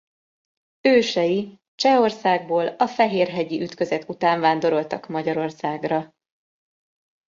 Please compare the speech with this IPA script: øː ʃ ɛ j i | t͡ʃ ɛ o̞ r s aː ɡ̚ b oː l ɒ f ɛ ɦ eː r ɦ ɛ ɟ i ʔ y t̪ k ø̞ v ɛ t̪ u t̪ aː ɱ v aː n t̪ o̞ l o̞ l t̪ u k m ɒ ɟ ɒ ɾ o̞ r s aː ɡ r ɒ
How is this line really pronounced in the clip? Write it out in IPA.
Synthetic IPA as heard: øː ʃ ɛ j i | t͡ʃ ɛ o̞ r s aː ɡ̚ b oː l ɒ f ɛ ɦ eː r ɦ ɛ ɟ i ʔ y t̪ k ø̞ z ɛ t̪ u t̪ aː ɱ v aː n d̪ o̞ ɾ o̞ l t̪ ɒ k m ɒ ɟ ɒ ɾ o̞ r s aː ɡ r ɒ